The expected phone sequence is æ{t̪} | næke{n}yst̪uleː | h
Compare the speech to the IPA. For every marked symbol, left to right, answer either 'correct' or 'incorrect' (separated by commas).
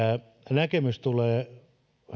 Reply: incorrect, incorrect